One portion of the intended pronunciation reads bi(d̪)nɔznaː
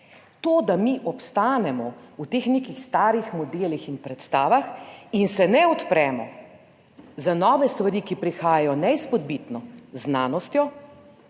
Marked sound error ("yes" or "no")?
yes